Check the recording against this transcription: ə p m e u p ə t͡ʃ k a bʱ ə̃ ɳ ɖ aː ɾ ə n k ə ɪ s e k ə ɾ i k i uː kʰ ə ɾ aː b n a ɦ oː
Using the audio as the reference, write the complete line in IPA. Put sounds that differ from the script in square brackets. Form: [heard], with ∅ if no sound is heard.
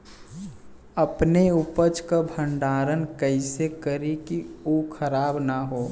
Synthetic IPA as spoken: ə p [n] e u p ə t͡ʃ k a bʱ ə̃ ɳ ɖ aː ɾ ə n k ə ɪ s e k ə ɾ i k i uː kʰ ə ɾ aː b n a ɦ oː

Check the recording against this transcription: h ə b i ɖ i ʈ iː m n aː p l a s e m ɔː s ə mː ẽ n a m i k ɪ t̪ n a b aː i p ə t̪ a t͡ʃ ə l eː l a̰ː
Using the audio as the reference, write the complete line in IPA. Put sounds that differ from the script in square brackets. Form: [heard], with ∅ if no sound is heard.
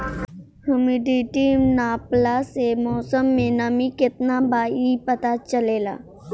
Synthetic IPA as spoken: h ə [m] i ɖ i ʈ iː m n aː p l a s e m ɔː s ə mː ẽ n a m i k ɪ t̪ n a b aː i p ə t̪ a t͡ʃ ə l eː l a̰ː

